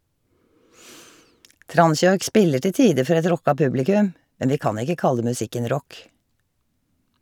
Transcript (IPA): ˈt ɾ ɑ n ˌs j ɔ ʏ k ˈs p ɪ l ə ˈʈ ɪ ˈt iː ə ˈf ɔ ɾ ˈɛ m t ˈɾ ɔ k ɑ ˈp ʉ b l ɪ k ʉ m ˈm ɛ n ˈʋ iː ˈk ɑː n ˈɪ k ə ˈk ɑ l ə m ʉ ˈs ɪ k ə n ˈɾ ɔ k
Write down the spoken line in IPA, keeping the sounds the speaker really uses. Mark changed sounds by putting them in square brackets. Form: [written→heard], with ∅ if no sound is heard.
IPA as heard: ˈt ɾ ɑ n ˌs j ɔ ʏ k ˈs p ɪ l ə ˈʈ ɪ ˈt iː ə ˈf ɔ ɾ ˈɛ [m→∅] t ˈɾ ɔ k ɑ ˈp ʉ b l ɪ k ʉ m ˈm ɛ n ˈʋ iː ˈk ɑː n ˈɪ k ə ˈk ɑ l ə m ʉ ˈs ɪ k ə n ˈɾ ɔ k